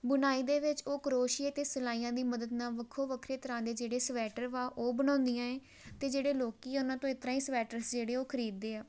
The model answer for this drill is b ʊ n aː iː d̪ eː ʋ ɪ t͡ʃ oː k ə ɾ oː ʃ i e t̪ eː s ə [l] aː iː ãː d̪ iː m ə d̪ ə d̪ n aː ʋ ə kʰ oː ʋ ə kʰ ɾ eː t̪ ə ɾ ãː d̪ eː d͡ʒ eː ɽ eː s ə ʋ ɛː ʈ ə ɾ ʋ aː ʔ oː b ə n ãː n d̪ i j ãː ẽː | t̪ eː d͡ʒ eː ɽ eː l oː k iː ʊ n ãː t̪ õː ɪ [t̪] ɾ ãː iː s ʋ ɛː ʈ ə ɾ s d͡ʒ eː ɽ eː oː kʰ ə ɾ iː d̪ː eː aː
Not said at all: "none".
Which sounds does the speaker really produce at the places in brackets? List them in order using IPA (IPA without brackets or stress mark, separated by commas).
l, t̪